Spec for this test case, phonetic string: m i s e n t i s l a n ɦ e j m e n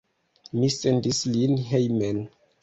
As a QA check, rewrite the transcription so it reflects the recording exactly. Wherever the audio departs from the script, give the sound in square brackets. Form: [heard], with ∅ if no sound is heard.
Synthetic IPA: m i s e n [d] i s l [i] n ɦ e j m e n